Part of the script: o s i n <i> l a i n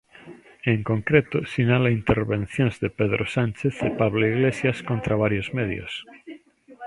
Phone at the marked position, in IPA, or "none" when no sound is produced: a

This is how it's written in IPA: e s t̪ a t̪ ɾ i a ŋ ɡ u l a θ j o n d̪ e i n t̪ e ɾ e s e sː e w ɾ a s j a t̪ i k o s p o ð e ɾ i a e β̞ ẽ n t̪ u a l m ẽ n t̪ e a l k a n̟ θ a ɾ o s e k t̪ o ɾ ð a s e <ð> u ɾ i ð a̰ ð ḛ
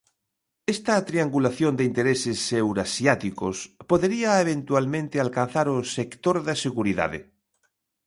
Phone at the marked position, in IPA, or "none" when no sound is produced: ɣ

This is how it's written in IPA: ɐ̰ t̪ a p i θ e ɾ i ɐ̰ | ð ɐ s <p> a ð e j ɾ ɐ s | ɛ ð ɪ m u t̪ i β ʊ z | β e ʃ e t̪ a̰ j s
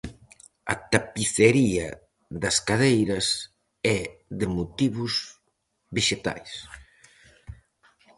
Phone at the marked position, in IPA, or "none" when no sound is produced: k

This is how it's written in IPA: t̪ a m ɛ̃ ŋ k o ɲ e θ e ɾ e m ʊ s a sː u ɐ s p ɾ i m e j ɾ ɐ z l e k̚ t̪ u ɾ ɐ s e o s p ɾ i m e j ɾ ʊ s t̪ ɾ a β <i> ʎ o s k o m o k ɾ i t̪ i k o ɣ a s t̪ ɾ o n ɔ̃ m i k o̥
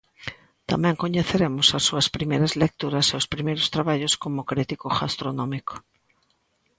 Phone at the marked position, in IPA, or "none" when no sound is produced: a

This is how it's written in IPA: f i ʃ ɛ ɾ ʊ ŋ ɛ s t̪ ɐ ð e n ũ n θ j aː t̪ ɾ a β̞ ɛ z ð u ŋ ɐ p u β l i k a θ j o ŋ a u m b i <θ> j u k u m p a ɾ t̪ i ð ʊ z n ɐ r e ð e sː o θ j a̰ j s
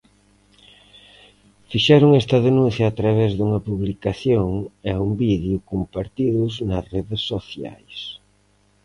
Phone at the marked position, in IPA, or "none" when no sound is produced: ð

